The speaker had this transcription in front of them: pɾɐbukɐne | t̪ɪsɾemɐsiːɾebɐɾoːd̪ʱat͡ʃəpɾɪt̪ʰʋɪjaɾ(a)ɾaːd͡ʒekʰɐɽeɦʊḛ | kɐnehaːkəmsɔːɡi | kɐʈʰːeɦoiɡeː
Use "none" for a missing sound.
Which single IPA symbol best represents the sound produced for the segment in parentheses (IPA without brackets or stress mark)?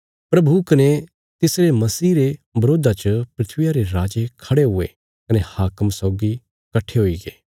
e